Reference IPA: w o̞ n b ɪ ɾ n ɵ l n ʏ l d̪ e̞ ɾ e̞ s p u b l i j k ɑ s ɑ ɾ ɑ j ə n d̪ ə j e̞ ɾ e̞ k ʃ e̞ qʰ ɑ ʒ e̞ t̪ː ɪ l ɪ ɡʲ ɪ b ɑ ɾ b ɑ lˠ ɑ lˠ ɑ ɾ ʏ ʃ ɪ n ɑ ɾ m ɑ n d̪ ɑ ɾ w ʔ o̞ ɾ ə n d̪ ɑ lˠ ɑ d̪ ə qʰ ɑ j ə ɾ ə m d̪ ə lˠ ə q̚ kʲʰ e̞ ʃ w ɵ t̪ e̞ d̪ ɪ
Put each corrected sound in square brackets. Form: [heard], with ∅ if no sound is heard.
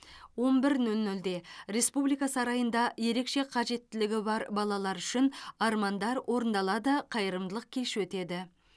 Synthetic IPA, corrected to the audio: w o̞ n b ɪ ɾ n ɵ l n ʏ l d̪ e̞ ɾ e̞ s p u b l i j k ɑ s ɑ ɾ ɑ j ə n d̪ [ɑ] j e̞ ɾ e̞ k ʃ e̞ qʰ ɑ ʒ e̞ t̪ː ɪ l ɪ ɡʲ ɪ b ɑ ɾ b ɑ lˠ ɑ lˠ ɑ ɾ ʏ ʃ ɪ n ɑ ɾ m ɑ n d̪ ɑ ɾ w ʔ o̞ ɾ ə n d̪ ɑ lˠ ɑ d̪ ə qʰ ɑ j ə ɾ ə m d̪ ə lˠ ə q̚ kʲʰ e̞ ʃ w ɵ t̪ e̞ d̪ ɪ